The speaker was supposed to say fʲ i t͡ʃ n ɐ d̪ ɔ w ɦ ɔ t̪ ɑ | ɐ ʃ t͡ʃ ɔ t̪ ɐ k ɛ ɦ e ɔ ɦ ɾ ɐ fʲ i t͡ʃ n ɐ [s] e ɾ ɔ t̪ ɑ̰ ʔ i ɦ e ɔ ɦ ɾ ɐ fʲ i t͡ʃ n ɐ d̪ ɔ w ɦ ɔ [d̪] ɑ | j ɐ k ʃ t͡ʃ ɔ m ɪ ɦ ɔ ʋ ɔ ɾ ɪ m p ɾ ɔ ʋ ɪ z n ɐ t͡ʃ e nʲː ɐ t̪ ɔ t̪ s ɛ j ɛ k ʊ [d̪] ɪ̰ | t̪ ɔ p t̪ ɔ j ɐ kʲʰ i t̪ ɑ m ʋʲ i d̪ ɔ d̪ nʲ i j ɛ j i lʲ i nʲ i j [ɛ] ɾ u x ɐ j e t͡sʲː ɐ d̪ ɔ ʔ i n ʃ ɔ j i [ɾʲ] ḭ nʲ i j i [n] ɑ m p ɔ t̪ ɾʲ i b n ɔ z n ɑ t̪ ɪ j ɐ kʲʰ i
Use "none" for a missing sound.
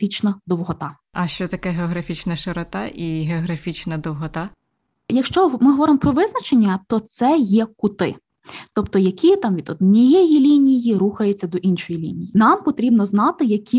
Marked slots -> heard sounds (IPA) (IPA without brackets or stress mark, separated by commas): ʃ, t̪, t̪, i, lʲ, n